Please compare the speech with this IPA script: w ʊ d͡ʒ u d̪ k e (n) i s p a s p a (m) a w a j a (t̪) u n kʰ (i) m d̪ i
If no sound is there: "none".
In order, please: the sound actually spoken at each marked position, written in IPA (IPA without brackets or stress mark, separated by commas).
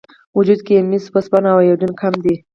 m, n, d̪, a